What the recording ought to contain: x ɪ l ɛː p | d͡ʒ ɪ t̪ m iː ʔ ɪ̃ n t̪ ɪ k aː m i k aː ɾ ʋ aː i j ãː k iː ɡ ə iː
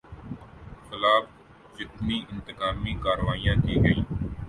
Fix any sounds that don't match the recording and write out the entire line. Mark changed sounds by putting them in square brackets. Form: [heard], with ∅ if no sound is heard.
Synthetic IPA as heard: x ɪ l [aː] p | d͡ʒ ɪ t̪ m iː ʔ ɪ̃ n t̪ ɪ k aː m [iː] k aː ɾ ʋ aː i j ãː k iː ɡ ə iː